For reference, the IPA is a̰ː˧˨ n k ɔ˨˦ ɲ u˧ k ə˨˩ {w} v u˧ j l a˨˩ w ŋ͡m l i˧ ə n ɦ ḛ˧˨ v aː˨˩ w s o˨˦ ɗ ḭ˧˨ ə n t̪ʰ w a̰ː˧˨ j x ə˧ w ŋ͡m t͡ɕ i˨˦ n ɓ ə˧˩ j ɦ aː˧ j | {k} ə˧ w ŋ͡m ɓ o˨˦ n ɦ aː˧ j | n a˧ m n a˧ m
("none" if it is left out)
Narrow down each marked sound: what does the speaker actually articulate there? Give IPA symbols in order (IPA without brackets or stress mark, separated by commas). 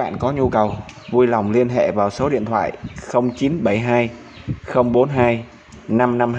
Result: w, x